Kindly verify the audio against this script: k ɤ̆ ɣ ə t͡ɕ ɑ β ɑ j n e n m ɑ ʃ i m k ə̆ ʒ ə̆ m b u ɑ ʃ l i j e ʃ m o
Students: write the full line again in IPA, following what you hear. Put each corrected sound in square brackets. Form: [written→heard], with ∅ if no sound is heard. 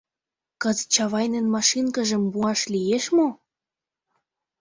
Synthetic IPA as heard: k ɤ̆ [ɣ→z] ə t͡ɕ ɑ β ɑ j n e n m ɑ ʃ i [m→n] k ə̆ ʒ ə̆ m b u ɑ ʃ l i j e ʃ m o